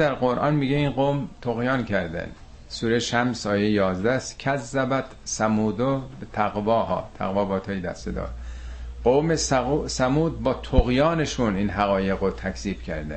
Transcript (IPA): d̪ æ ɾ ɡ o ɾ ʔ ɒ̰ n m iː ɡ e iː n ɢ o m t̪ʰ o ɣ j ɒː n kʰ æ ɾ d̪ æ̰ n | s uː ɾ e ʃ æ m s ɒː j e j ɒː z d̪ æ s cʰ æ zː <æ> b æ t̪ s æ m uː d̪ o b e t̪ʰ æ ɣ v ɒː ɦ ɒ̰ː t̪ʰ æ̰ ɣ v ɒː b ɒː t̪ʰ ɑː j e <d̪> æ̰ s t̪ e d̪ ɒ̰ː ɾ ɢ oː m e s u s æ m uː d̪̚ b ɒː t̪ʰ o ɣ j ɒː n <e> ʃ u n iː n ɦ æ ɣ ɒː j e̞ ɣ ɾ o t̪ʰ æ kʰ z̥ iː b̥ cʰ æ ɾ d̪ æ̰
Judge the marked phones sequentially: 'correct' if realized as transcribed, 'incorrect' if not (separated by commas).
correct, correct, correct